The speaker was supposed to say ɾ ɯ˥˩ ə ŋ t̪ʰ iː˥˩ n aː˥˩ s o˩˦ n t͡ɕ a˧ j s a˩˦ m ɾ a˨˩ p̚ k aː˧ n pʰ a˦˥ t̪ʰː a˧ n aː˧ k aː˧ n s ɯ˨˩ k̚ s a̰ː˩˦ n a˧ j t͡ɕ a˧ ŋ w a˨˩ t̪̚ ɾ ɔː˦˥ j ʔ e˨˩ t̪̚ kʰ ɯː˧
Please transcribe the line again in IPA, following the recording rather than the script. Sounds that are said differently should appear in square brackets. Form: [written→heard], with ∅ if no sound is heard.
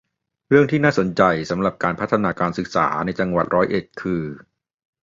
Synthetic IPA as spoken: ɾ ɯ˥˩ ə ŋ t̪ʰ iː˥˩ n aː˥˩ s o˩˦ n t͡ɕ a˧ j s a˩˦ m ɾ a˨˩ p̚ k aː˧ n pʰ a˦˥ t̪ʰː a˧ n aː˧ k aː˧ n s ɯ˨˩ k̚ s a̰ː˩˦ n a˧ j t͡ɕ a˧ ŋ w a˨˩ t̪̚ ɾ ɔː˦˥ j ʔ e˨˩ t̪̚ kʰ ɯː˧

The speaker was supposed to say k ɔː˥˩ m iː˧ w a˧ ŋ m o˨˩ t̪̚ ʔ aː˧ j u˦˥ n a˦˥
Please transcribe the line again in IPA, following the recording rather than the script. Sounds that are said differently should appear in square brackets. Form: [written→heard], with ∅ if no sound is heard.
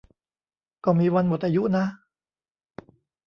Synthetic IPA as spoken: k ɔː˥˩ m iː˧ w a˧ [ŋ→n] m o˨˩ t̪̚ ʔ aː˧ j u˦˥ n a˦˥

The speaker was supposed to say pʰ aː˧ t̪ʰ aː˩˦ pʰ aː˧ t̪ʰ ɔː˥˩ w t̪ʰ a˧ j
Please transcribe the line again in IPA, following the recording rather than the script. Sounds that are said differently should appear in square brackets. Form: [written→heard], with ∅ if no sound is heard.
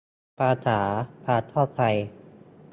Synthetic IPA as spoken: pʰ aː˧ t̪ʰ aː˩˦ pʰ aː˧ t̪ʰ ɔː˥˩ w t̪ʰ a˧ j

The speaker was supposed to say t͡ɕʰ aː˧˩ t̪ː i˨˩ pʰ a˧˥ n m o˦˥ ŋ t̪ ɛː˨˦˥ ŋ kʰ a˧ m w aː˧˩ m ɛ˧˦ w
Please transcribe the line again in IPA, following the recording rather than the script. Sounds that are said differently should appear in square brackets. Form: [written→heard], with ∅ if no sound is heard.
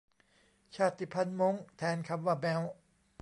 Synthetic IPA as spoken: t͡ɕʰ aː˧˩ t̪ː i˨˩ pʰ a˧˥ n m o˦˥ ŋ [t̪→t̪ʰ] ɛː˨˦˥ [ŋ→n] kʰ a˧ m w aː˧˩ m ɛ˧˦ w

